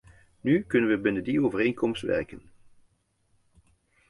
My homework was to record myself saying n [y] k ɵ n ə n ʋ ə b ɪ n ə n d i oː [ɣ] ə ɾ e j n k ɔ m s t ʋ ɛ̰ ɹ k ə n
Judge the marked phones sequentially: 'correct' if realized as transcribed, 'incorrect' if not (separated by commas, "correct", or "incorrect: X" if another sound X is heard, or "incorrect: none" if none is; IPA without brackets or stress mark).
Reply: correct, incorrect: v